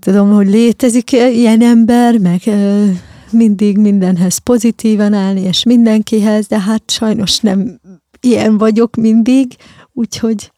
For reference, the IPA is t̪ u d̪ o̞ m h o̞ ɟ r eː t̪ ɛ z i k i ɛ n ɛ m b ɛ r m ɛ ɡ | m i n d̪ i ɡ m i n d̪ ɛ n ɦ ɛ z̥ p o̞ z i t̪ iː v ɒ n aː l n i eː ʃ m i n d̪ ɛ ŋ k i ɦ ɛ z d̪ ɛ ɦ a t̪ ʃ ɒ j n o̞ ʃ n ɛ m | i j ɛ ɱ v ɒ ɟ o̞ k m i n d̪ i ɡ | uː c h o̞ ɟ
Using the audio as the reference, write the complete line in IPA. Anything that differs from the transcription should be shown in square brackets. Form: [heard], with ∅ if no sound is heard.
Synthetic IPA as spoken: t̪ u d̪ o̞ m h o̞ ɟ [l] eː t̪ ɛ z i k i ɛ n ɛ m b ɛ r m ɛ ɡ | m i n d̪ i ɡ m i n d̪ ɛ n ɦ ɛ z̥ p o̞ z i t̪ iː v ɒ n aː l n i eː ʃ m i n d̪ ɛ ŋ k i ɦ ɛ z d̪ ɛ ɦ a t̪ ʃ ɒ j n o̞ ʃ n ɛ m | i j ɛ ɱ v ɒ ɟ o̞ k m i n d̪ i ɡ | uː c h o̞ ɟ